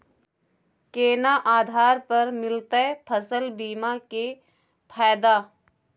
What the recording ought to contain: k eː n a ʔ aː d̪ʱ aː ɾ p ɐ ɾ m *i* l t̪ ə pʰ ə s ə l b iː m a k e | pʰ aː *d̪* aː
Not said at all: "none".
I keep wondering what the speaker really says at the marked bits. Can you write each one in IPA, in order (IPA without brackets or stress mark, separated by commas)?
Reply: ɪ, d̪